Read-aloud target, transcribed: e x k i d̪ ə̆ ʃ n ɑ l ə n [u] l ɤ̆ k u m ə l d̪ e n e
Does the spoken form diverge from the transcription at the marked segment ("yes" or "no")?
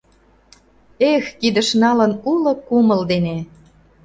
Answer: no